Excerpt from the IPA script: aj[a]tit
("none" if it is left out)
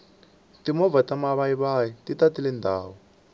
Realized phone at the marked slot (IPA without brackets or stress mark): i